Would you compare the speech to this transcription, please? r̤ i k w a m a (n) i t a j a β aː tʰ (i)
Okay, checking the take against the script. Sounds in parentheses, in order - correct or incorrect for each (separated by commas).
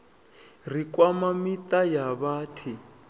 incorrect, correct